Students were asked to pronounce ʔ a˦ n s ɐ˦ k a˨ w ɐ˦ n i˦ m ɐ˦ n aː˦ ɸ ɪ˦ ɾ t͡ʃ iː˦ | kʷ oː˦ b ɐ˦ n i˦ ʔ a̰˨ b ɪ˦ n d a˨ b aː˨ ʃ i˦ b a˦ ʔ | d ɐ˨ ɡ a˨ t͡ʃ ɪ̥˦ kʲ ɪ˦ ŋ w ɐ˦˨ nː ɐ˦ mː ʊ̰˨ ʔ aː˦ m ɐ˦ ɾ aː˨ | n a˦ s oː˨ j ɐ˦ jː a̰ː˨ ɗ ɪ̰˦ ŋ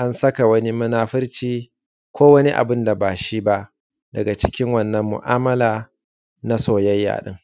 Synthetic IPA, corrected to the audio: ʔ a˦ n s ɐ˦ k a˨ w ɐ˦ n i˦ m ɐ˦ n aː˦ ɸ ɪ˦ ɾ t͡ʃ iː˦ | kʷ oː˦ w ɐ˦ n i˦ ʔ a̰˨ b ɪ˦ n d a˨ b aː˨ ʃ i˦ b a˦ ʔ | d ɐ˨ ɡ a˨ t͡ʃ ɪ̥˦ kʲ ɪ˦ ŋ w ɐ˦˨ nː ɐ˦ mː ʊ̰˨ ʔ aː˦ m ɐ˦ l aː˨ | n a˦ s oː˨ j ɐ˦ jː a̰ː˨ ɗ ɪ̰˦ ŋ

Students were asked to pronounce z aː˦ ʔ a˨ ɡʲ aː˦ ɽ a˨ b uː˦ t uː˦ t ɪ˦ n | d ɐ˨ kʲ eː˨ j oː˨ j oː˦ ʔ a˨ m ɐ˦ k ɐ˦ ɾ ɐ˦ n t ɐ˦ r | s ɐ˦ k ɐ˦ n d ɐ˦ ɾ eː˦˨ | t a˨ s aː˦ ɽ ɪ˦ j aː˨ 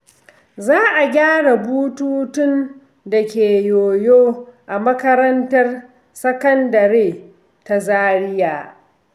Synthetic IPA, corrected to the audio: z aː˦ ʔ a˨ ɡʲ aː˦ ɽ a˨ b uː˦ t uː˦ t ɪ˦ n | d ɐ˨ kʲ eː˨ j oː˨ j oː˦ ʔ a˨ m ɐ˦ k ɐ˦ ɾ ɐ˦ n t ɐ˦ r | s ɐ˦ k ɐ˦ n d ɐ˨ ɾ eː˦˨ | t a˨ z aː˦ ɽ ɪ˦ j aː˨

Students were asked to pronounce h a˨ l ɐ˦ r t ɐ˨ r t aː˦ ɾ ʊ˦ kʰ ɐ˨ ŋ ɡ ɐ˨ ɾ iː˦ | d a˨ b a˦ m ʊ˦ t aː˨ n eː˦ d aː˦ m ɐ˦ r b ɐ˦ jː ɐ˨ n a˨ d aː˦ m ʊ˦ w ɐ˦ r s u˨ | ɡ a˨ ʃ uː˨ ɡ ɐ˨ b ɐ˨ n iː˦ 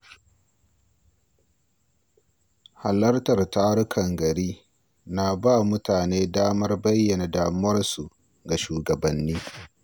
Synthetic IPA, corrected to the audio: h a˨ l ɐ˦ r t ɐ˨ r t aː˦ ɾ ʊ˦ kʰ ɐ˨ ŋ ɡ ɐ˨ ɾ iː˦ | n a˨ b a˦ m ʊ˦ t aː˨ n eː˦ d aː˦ m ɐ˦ r b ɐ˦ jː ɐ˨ n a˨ d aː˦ m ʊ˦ w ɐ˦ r s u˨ | ɡ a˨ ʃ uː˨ ɡ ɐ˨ b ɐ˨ nː iː˦

